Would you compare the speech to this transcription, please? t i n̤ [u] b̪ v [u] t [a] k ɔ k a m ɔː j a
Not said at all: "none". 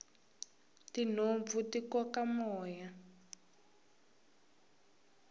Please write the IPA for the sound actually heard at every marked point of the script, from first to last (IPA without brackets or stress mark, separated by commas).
o, u, i